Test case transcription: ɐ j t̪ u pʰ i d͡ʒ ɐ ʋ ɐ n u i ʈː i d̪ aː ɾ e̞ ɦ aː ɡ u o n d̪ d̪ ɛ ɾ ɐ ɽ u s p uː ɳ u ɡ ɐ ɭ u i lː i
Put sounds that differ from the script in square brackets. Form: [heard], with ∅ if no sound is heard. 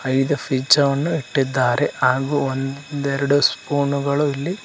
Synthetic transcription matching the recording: ɐ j [d̪] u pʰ i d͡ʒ ɐ ʋ ɐ [nː] u i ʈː i [d̪ː] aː ɾ e̞ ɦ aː ɡ u o n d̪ d̪ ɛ ɾ ɐ ɽ u s p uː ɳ u ɡ ɐ ɭ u i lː i